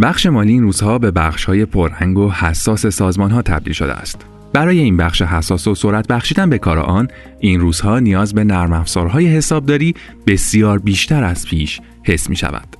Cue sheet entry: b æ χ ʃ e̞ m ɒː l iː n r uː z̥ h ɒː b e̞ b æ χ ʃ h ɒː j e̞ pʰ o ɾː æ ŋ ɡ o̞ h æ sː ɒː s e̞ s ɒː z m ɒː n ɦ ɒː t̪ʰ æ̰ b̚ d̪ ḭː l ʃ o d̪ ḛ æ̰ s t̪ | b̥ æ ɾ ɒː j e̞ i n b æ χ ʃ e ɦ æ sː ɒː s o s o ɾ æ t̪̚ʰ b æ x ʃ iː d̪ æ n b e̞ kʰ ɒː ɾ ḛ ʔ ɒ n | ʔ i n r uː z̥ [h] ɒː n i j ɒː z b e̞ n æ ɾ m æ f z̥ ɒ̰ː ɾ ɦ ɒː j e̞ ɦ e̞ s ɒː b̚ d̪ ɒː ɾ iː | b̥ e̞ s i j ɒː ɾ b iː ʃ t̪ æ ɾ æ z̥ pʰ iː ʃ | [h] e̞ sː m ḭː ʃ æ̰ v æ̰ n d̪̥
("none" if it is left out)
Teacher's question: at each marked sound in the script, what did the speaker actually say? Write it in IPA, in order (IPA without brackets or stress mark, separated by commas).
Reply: h, h